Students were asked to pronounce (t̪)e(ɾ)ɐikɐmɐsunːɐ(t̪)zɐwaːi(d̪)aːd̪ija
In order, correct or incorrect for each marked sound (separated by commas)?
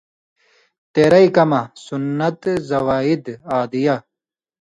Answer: correct, correct, correct, correct